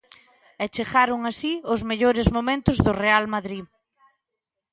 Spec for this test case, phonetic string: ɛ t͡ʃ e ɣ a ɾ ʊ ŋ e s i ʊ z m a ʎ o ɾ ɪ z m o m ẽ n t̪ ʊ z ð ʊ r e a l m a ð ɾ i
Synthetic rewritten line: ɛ t͡ʃ e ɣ a ɾ ʊ ŋ a s i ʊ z m e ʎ o ɾ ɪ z m o m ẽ n t̪ ʊ z ð ʊ r e a l m a ð ɾ i